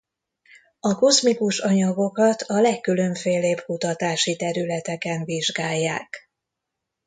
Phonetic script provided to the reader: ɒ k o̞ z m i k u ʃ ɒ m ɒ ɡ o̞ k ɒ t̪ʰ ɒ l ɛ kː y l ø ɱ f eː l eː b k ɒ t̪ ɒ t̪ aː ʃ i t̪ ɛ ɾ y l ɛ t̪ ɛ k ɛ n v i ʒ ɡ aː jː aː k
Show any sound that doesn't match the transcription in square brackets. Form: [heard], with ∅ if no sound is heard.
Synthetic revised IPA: ɒ k o̞ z m i k u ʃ ɒ [ɲ] ɒ ɡ o̞ k ɒ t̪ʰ ɒ l ɛ kː y l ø ɱ f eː l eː b k [u] t̪ ɒ t̪ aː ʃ i t̪ ɛ ɾ y l ɛ t̪ ɛ k ɛ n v i ʒ ɡ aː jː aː k